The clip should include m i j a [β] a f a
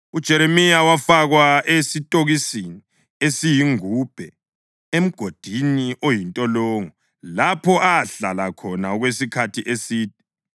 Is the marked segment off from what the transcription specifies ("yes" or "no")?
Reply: yes